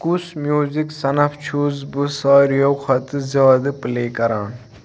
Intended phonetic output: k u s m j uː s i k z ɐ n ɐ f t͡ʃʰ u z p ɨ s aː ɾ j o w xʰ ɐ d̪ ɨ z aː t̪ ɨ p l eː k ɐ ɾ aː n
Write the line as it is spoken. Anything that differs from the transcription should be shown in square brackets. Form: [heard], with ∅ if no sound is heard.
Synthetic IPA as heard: k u s m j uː [z] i k [s] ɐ n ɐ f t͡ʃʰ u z [b] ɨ s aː ɾ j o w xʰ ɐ [t̪] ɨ z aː [d̪] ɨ p l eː k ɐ ɾ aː n